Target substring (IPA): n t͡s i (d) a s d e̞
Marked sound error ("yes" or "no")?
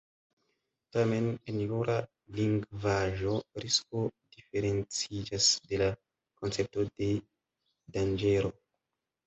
yes